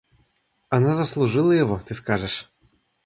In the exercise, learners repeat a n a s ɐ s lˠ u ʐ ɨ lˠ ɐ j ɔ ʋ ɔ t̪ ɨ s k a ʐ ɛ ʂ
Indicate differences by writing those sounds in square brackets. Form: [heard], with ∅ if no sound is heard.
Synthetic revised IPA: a n a [z] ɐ s lˠ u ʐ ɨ lˠ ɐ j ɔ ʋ ɔ t̪ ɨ s k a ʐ ɛ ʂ